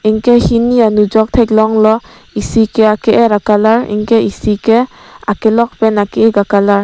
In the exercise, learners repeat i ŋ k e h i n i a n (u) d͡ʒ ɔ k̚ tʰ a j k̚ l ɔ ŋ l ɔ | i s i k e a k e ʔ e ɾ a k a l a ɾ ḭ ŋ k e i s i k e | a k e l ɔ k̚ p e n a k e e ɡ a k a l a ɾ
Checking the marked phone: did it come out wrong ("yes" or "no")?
no